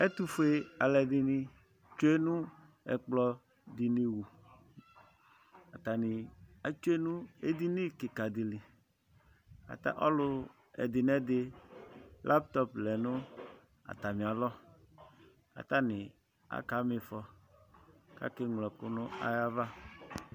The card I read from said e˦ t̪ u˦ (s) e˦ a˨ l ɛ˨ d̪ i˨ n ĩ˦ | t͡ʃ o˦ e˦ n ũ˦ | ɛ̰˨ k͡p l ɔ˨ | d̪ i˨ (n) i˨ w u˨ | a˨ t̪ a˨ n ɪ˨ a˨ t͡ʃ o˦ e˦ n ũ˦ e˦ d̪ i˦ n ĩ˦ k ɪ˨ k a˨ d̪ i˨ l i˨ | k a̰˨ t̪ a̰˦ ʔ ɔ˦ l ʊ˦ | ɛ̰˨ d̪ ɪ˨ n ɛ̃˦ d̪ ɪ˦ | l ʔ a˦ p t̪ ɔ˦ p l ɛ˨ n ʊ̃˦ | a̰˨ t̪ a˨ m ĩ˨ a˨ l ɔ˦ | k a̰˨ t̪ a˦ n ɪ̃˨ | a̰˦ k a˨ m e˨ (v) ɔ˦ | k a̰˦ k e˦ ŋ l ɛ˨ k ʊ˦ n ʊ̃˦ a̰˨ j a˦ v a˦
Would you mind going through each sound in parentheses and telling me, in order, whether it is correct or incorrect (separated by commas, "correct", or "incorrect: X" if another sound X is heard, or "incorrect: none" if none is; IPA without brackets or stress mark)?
incorrect: f, correct, incorrect: f